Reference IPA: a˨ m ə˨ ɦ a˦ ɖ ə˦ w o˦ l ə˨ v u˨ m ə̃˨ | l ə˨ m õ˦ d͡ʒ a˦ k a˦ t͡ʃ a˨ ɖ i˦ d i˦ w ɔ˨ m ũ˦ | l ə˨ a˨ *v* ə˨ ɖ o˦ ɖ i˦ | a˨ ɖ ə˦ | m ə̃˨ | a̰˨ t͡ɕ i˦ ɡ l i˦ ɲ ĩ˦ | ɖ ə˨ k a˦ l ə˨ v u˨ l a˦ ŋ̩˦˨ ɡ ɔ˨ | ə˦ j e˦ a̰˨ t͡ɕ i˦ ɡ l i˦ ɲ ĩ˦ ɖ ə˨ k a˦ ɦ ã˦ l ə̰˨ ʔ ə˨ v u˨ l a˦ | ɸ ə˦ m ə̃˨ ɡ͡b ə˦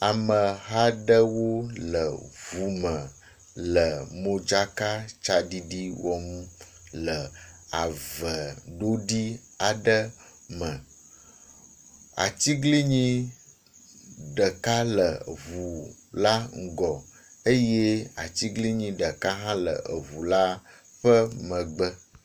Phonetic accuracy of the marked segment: correct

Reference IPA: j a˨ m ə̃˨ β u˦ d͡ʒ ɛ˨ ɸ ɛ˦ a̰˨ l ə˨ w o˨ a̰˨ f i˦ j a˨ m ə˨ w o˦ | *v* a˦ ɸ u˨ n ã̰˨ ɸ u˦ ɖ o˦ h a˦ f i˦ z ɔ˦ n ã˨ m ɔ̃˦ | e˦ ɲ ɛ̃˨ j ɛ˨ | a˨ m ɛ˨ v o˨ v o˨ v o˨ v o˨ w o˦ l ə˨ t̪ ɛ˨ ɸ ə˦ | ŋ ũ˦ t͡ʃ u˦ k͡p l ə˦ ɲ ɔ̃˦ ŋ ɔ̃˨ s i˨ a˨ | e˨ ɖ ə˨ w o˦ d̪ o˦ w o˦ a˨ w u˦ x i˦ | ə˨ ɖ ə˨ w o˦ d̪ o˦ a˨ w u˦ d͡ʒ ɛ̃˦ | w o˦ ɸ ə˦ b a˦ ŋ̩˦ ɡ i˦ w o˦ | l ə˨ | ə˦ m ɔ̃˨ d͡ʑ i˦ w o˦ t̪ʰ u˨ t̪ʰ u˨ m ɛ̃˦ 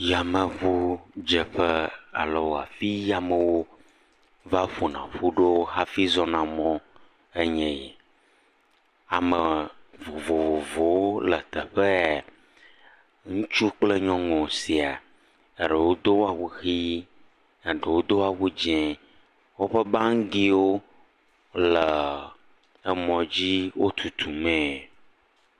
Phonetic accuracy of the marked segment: correct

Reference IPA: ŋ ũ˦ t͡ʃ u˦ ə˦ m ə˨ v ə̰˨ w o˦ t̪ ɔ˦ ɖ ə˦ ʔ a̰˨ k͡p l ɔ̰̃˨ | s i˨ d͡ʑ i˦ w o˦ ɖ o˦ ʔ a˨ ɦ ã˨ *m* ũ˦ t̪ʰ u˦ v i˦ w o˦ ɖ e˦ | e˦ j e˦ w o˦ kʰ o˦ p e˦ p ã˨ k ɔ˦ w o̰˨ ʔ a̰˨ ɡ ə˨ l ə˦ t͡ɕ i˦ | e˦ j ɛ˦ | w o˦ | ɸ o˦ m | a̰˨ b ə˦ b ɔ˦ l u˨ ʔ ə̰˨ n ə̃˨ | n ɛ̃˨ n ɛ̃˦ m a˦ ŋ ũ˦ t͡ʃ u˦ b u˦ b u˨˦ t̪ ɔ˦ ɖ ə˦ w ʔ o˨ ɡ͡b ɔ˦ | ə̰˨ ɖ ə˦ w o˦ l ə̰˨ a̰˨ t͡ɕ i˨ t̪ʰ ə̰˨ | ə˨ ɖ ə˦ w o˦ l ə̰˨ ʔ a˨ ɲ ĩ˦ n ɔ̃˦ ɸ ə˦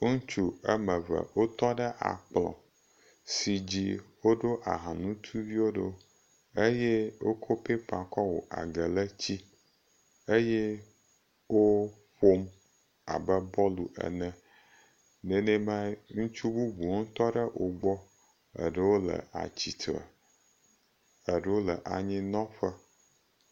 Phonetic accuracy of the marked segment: incorrect: n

